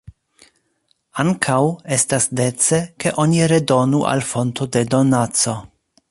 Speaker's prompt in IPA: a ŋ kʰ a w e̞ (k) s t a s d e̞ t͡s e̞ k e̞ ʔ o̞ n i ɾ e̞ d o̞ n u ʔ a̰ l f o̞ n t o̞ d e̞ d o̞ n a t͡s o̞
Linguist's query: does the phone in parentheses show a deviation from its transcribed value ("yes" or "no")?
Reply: yes